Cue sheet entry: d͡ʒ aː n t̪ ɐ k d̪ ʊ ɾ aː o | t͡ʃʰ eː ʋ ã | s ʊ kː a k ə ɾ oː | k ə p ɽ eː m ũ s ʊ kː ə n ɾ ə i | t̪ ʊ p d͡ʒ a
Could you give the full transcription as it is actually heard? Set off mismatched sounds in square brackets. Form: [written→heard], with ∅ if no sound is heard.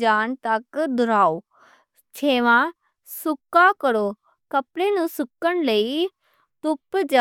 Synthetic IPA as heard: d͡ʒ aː n t̪ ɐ k d̪ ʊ ɾ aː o | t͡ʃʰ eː ʋ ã | s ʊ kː a k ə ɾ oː | k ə p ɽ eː [m→n] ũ s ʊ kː ə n [ɾ→l] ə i | t̪ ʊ p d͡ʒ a